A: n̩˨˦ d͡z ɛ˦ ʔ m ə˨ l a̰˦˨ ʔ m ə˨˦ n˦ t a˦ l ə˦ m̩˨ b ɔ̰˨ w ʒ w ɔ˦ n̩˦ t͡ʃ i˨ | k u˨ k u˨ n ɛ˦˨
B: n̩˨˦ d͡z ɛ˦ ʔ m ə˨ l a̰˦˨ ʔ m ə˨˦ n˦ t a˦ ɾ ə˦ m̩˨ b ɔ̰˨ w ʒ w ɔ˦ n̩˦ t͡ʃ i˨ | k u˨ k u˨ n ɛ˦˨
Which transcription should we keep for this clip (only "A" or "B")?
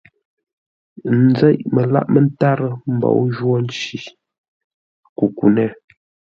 B